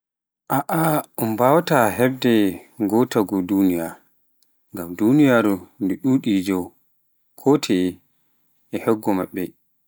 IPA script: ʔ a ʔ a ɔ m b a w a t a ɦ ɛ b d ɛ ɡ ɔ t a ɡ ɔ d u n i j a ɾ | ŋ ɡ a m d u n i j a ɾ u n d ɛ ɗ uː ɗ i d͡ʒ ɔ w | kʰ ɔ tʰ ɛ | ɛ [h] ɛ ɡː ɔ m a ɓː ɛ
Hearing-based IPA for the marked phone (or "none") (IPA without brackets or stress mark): h